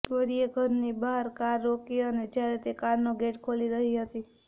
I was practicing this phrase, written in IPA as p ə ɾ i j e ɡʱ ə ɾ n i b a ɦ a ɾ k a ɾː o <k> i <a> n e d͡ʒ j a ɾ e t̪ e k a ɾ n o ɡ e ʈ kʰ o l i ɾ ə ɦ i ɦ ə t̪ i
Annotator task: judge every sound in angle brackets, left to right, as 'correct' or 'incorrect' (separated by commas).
correct, incorrect